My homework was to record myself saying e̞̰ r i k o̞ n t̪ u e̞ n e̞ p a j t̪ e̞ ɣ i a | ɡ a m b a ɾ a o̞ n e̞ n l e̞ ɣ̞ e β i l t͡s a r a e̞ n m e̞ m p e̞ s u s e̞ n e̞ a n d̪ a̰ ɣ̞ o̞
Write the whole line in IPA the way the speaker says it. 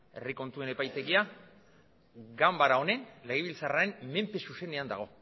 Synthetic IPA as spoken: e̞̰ r i k o̞ n t̪ u e̞ n e̞ p a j t̪ e̞ ɣ i a | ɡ a m b a ɾ a o̞ n e̞ n l e̞ ɣ̞ e β i l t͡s a r a e̞ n m e̞ m p e̞ s u s e̞ n e̞ a n d̪ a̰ ɣ̞ o̞